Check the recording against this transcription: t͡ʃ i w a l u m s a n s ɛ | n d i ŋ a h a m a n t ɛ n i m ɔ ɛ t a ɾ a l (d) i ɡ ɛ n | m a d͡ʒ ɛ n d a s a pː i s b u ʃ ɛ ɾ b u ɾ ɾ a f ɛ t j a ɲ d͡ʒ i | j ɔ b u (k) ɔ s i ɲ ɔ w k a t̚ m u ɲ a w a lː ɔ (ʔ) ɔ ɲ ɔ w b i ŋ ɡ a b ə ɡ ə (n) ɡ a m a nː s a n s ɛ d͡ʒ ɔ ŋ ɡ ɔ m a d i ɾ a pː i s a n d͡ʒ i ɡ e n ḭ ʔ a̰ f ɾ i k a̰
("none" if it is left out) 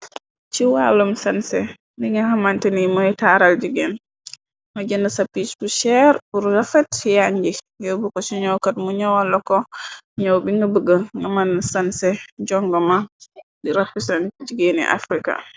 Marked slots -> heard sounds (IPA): d͡ʒ, k, k, ŋ

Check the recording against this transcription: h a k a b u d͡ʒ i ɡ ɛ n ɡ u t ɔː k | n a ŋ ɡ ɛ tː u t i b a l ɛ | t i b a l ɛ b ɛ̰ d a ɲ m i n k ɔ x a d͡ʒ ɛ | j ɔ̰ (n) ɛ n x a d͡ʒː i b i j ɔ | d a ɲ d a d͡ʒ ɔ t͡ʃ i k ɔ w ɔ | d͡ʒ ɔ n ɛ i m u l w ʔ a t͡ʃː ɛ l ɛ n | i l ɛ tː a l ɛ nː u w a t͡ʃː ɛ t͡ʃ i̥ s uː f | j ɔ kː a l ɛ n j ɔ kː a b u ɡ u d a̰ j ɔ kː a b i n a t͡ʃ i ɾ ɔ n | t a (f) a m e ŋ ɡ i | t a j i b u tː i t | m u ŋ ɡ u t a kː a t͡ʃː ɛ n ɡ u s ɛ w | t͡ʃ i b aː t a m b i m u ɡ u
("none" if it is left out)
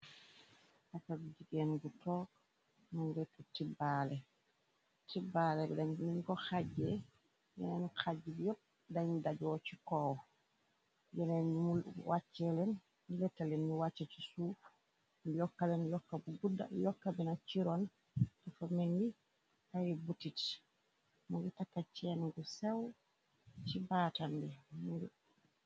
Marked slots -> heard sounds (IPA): n, f

